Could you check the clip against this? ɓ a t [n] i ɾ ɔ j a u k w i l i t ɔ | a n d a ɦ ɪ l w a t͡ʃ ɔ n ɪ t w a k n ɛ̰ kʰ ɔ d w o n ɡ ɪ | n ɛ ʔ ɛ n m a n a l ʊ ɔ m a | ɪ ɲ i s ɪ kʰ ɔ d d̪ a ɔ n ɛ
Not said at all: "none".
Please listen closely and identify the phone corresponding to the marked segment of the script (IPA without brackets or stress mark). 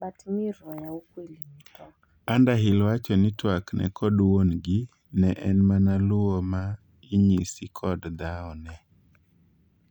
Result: m